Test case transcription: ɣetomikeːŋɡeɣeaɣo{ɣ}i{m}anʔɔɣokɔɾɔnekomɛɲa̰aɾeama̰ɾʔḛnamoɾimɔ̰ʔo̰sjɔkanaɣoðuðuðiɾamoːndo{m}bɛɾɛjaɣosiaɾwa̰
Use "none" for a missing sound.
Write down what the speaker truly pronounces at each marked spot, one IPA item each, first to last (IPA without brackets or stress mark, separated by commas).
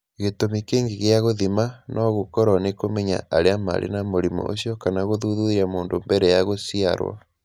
ð, m, m